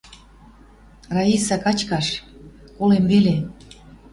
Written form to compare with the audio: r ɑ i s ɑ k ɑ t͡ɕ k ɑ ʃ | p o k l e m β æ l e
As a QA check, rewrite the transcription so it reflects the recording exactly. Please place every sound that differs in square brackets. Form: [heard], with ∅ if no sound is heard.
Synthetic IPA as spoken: r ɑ i s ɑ k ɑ t͡ɕ k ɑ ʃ | [k] o [∅] l e m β [e] l e